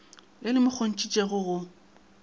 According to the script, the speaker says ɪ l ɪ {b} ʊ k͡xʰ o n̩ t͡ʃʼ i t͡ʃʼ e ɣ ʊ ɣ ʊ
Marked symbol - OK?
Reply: no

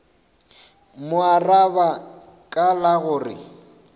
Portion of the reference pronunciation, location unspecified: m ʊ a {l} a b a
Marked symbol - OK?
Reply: no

